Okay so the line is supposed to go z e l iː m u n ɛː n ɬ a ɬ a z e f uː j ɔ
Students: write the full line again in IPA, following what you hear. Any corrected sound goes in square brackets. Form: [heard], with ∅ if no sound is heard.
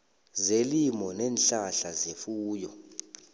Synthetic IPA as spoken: z e l [i] m [ɔ] n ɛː n ɬ a ɬ a z e f uː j ɔ

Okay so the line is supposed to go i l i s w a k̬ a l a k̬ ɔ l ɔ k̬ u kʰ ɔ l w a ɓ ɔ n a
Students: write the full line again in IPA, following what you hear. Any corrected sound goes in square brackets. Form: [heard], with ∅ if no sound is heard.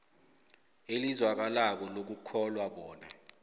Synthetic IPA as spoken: [e] l i [z] w a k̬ a l a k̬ ɔ l [o] k̬ u kʰ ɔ l w a ɓ [ɔː] n a

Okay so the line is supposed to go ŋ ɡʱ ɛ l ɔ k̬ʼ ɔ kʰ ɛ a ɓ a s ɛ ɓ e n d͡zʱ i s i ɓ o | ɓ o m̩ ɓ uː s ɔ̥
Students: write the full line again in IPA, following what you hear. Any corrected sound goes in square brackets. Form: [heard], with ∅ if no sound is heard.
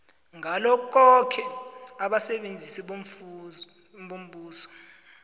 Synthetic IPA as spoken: ŋ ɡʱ [a] l ɔ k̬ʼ ɔ kʰ ɛ a ɓ a s ɛ ɓ e n d͡zʱ i s i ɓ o | ɓ o m̩ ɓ uː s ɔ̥

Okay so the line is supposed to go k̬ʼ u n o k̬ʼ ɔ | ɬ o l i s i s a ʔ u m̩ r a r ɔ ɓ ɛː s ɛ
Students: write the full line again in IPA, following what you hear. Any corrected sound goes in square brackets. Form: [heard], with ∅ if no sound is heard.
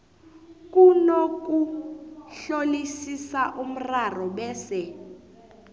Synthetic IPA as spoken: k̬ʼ u n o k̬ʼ [u] | ɬ o l i s i s a ʔ u m̩ r a r ɔ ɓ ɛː s ɛ

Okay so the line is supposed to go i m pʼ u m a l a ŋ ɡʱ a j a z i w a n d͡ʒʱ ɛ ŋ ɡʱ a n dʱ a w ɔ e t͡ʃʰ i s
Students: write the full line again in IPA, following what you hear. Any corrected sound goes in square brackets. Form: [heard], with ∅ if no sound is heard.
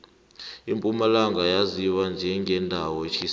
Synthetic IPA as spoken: i m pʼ u m a l a ŋ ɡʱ a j a z i w a n d͡ʒʱ ɛ ŋ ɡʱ [ɛ] n dʱ a w ɔ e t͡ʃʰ i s

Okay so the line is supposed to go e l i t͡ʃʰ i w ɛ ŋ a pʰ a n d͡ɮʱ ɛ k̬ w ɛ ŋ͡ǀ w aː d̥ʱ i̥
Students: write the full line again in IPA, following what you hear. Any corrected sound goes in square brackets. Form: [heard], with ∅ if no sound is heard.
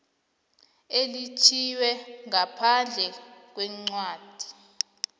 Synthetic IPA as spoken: e l i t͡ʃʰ i w ɛ ŋ a pʰ a n d͡ɮʱ ɛ k̬ w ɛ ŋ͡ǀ w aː d̥ʱ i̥

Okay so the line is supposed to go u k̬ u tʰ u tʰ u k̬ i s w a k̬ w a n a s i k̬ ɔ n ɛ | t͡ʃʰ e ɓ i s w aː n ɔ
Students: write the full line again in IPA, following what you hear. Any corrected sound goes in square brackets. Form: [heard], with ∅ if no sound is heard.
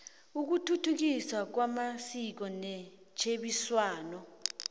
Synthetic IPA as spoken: u k̬ u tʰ u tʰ u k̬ i s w a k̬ w a [m] a s i k̬ ɔ n ɛ | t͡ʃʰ e ɓ i s w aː n ɔ

